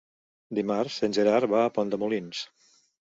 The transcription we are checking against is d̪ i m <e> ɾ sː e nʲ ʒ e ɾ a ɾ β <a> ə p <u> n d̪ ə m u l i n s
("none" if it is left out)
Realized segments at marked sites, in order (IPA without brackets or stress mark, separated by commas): a, a, ɔ